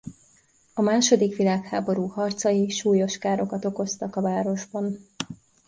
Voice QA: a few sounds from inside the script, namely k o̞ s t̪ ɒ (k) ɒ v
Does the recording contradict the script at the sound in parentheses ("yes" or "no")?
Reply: no